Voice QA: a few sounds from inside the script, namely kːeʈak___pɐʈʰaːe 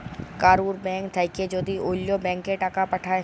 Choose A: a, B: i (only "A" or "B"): A